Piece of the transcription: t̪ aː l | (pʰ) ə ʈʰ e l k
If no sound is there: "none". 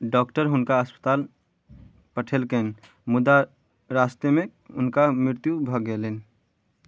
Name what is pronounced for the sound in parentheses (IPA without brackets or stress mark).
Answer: p